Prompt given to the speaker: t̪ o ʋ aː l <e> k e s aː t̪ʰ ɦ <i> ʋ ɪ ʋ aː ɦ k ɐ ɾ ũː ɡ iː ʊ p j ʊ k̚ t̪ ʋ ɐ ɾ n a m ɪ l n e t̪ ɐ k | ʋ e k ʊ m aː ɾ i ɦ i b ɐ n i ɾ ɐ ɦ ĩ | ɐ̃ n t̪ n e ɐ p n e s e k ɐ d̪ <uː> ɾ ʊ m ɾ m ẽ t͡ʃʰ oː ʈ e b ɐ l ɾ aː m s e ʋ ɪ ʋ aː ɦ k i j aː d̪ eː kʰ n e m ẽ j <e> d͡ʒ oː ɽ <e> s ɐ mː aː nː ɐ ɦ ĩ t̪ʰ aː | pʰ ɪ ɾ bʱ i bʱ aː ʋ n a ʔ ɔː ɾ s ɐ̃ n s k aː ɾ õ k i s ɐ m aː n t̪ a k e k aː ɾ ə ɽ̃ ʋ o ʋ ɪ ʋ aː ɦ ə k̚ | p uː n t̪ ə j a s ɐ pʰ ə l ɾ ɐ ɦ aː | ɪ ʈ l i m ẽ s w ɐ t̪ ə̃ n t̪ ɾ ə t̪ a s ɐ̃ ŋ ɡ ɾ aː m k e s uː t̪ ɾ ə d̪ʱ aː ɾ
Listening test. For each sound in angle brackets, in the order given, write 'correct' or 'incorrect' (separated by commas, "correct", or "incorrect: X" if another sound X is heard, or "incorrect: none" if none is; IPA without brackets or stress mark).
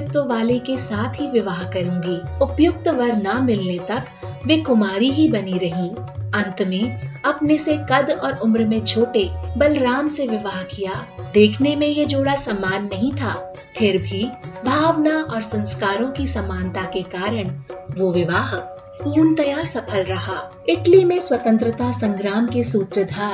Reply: correct, correct, incorrect: ɔː, correct, incorrect: a